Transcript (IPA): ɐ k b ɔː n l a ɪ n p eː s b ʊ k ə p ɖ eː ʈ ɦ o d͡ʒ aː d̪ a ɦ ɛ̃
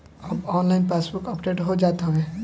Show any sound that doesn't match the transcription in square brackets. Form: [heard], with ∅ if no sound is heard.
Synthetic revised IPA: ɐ [∅] b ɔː n l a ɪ n p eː s b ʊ k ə p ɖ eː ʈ ɦ o d͡ʒ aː [t̪] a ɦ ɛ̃